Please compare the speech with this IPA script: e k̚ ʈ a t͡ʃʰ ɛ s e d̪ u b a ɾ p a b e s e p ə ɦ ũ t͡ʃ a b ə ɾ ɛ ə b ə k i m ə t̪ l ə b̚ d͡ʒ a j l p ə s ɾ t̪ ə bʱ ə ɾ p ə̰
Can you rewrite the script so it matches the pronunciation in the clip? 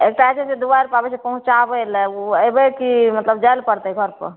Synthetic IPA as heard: e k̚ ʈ a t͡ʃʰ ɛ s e d̪ u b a ɾ p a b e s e p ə ɦ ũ t͡ʃ a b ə l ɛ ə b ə k i m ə t̪ l ə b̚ d͡ʒ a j l p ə ɾ t̪ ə ɡʱ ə ɾ p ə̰